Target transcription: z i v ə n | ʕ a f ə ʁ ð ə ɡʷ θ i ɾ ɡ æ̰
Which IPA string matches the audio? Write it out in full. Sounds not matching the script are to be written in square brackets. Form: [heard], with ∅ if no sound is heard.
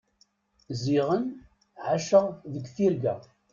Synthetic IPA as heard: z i [ʁ] ə n | ʕ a [ʃ] ə ʁ ð ə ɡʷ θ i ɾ ɡ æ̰

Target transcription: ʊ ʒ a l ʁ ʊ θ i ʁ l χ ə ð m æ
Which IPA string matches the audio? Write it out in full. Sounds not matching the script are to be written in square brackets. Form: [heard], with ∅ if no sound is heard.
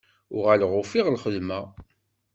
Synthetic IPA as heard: ʊ [ʁ] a l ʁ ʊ [f] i ʁ l χ ə ð m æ

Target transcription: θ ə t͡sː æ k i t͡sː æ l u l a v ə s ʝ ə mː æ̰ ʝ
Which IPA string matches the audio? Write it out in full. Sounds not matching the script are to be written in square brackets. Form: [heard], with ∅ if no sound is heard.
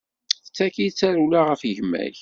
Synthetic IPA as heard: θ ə t͡sː æ k i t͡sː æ [ɾ] u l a [ʁ] ə [f] ʝ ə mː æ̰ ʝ

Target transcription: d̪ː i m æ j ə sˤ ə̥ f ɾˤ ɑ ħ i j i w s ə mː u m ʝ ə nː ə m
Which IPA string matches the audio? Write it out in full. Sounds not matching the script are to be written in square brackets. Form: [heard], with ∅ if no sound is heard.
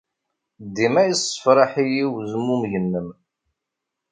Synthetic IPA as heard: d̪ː i m æ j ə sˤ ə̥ f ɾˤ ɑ ħ i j i w [z] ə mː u m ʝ ə nː ə m

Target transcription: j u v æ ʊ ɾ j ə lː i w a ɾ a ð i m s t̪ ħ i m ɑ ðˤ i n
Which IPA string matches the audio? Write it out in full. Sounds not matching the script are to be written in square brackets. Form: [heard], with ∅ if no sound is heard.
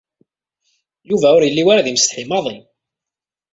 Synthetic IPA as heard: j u v æ ʊ ɾ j ə lː i w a ɾ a ð i m s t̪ ħ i m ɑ ðˤ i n

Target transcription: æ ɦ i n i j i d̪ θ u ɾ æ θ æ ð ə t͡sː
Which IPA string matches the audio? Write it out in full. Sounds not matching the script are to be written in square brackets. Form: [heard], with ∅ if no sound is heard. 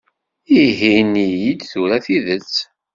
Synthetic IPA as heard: [i] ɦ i n i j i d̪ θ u ɾ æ θ [i] ð ə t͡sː

